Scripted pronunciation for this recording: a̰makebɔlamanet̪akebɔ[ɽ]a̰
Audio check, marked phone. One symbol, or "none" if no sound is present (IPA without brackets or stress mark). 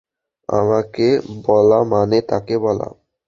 l